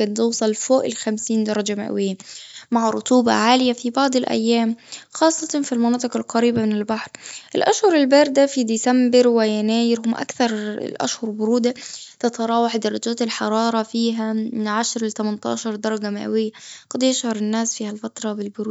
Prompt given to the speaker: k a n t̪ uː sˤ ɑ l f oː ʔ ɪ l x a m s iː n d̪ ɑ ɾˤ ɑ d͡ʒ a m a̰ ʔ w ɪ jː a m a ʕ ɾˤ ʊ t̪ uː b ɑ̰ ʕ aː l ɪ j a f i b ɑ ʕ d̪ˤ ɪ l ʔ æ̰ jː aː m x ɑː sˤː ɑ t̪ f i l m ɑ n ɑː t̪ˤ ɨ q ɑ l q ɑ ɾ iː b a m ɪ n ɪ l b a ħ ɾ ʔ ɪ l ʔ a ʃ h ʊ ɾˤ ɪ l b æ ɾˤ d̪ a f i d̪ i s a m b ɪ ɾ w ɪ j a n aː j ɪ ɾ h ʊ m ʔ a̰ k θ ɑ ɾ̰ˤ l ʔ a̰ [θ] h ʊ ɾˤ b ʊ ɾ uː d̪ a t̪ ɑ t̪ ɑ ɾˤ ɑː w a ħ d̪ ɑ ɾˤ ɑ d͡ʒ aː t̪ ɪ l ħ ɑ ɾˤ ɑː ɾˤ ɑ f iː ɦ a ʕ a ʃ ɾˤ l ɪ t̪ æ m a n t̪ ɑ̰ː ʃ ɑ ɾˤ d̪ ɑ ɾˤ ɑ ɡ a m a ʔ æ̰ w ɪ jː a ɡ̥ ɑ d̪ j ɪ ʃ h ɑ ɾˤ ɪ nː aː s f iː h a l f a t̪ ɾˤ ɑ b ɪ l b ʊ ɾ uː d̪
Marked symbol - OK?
no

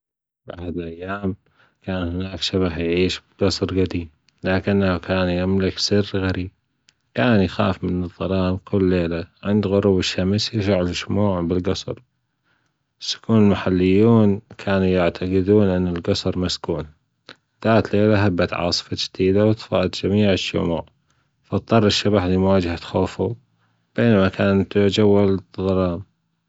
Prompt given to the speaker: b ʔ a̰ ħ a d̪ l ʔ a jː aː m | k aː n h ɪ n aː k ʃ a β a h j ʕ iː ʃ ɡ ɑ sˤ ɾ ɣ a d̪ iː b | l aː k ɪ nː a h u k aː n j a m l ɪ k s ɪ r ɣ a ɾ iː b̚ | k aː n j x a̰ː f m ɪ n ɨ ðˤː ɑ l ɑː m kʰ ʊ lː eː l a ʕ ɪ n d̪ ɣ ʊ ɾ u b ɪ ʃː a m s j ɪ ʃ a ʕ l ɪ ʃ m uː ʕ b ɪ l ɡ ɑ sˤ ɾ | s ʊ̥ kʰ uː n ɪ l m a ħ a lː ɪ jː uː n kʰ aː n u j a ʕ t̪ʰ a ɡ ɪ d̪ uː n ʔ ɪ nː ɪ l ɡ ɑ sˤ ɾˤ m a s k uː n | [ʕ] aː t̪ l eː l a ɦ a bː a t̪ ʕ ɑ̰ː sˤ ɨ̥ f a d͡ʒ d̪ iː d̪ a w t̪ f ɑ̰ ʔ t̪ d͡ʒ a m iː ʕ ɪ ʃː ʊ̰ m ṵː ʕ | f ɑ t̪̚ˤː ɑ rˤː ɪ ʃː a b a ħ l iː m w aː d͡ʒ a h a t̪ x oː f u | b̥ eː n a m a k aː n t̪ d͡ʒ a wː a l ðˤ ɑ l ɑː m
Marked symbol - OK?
no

